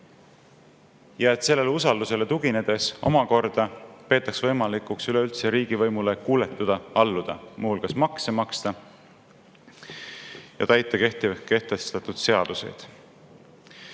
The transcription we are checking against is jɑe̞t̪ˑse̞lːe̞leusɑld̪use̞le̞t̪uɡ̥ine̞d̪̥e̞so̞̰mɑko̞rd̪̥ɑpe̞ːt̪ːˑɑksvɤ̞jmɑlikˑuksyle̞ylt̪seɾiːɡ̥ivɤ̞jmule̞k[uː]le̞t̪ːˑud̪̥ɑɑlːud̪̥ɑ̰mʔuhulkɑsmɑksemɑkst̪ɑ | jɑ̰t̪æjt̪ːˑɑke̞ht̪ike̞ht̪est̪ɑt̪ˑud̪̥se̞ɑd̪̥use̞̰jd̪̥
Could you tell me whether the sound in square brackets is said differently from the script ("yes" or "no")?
no